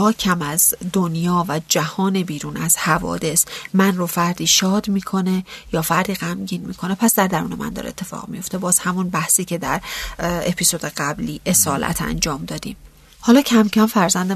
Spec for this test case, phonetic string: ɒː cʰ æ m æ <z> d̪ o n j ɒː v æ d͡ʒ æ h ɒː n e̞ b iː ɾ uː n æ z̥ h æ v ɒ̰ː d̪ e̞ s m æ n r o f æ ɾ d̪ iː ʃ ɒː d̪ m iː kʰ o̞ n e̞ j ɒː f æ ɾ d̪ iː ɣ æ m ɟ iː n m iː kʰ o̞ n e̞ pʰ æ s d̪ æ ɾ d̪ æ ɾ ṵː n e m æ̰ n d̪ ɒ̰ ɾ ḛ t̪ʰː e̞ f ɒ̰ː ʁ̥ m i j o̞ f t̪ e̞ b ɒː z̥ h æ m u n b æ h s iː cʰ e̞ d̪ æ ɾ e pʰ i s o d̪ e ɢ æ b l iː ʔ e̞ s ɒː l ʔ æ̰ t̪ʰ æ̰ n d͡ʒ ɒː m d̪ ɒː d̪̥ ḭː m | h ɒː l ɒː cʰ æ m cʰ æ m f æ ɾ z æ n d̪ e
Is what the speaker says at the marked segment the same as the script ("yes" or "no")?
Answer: yes